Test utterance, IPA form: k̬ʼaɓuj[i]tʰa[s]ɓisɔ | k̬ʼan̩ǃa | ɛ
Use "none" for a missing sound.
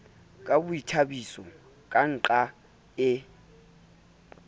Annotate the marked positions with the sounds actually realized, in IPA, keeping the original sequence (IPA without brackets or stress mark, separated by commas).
i, none